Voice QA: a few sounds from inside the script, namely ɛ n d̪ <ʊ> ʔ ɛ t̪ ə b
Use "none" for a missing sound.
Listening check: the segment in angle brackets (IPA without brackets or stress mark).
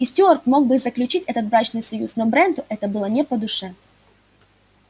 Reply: ʊ